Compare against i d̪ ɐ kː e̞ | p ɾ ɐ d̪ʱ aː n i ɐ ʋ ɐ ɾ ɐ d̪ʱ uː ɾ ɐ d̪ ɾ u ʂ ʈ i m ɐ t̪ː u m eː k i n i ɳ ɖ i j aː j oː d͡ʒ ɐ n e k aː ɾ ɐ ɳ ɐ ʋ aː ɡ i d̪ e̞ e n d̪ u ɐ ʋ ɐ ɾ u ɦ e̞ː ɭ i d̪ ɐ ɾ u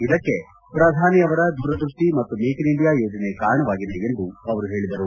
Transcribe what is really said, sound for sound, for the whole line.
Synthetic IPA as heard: i d̪ ɐ kː e̞ | p ɾ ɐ d̪ʱ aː n i ɐ ʋ ɐ ɾ ɐ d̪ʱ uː ɾ ɐ d̪ ɾ u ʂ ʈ i m ɐ t̪ː u m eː k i n i ɳ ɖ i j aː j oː d͡ʒ ɐ n e k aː ɾ ɐ ɳ ɐ ʋ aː ɡ i d̪ e̞ e n d̪ u ɐ ʋ ɐ ɾ u ɦ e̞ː ɭ i d̪ ɐ ɾ u

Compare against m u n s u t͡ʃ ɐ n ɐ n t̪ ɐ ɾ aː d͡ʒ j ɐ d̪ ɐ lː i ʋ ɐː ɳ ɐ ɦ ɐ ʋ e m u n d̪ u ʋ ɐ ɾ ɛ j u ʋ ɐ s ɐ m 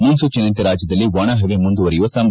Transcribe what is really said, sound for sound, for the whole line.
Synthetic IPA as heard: m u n s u t͡ʃ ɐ n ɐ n t̪ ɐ ɾ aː d͡ʒ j ɐ d̪ ɐ lː i ʋ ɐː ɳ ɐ ɦ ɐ ʋ e m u n d̪ u ʋ ɐ ɾ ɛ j u ʋ ɐ s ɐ m

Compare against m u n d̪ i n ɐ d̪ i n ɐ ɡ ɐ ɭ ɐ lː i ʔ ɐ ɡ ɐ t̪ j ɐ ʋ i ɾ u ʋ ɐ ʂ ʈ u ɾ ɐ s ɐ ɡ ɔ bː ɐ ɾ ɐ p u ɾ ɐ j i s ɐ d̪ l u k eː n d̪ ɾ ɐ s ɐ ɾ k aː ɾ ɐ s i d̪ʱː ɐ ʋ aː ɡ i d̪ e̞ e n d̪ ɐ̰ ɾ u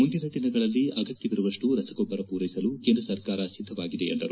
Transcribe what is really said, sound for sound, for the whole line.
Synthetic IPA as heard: m u n d̪ i n ɐ d̪ i n ɐ ɡ ɐ ɭ ɐ lː i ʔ ɐ ɡ ɐ t̪ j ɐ ʋ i ɾ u ʋ ɐ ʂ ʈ u ɾ ɐ s ɐ ɡ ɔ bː ɐ ɾ ɐ p uː ɾ ɐ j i s ɐ l u k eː n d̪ ɾ ɐ s ɐ ɾ k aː ɾ ɐ s i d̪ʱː ɐ ʋ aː ɡ i d̪ e̞ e n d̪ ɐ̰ ɾ u

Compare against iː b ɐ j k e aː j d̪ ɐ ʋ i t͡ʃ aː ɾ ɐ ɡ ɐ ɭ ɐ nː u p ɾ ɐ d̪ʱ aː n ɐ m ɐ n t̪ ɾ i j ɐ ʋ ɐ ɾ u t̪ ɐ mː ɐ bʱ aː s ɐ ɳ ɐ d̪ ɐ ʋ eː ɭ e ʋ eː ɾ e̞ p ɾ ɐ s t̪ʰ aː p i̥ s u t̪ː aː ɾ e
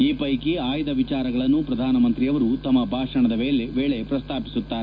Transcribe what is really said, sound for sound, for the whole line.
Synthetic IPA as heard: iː p ɐ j k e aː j d̪ ɐ ʋ i t͡ʃ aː ɾ ɐ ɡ ɐ ɭ ɐ nː u p ɾ ɐ d̪ʱ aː n ɐ m ɐ n t̪ ɾ i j ɐ ʋ ɐ ɾ u t̪ ɐ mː ɐ bʱ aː ʂ ɐ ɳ ɐ d̪ ɐ ʋ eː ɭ e ʋ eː ɭ e̞ p ɾ ɐ s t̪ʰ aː p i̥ s u t̪ː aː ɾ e

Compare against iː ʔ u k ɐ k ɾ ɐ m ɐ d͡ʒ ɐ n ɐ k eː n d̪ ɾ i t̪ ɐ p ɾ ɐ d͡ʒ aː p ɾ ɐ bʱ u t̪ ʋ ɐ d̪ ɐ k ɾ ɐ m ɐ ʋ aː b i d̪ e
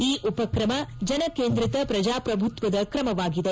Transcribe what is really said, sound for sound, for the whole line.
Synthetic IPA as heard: iː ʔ u p ɐ k ɾ ɐ m ɐ d͡ʒ ɐ n ɐ k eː n d̪ ɾ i t̪ ɐ p ɾ ɐ d͡ʒ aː p ɾ ɐ bʱ u t̪ ʋ ɐ d̪ ɐ k ɾ ɐ m ɐ ʋ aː ɡ i d̪ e

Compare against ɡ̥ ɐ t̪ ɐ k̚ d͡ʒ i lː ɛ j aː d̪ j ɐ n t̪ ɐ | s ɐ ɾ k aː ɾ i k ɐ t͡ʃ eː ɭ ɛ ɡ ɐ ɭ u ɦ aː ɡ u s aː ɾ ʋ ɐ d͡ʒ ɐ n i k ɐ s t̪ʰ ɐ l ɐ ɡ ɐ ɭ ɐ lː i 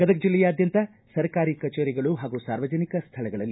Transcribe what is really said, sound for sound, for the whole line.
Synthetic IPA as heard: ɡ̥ ɐ d̪ ɐ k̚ d͡ʒ i lː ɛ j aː d̪ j ɐ n t̪ ɐ | s ɐ ɾ k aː ɾ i k ɐ t͡ʃ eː ɾ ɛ ɡ ɐ ɭ u ɦ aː ɡ u s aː ɾ ʋ ɐ d͡ʒ ɐ n i k ɐ s t̪ʰ ɐ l ɐ ɡ ɐ ɭ ɐ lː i

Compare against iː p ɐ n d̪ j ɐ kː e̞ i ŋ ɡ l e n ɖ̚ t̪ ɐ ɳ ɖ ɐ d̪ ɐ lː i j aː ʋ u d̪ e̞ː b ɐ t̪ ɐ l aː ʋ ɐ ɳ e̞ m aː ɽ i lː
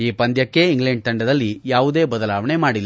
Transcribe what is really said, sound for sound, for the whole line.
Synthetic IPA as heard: iː p ɐ n d̪ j ɐ kː e̞ i ŋ ɡ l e ɳ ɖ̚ t̪ ɐ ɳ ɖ ɐ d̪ ɐ lː i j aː ʋ u d̪ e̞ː b ɐ d̪ ɐ l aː ʋ ɐ ɳ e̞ m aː ɽ i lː

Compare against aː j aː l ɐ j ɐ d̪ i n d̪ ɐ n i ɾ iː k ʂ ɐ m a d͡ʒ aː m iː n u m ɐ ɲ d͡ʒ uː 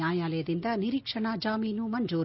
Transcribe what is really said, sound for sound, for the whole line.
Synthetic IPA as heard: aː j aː l ɐ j ɐ d̪ i n d̪ ɐ n i ɾ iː k ʂ ɐ ɳ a d͡ʒ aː m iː n u m ɐ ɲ d͡ʒ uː

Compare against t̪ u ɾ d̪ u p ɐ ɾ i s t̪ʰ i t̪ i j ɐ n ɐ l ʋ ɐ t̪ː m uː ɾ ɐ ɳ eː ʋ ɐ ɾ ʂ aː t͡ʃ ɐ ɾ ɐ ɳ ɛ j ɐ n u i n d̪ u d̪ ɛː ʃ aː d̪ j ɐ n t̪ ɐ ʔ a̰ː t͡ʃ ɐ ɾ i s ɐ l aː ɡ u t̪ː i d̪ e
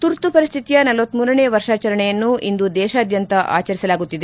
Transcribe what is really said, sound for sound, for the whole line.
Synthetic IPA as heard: t̪ u ɾ t̪ u p ɐ ɾ i s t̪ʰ i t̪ i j ɐ n ɐ l ʋ ɐ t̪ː m uː ɾ ɐ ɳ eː ʋ ɐ ɾ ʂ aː t͡ʃ ɐ ɾ ɐ ɳ ɛ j ɐ nː u i n d̪ u d̪ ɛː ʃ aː d̪ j ɐ n t̪ ɐ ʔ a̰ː t͡ʃ ɐ ɾ i s ɐ l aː ɡ u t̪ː i d̪ e

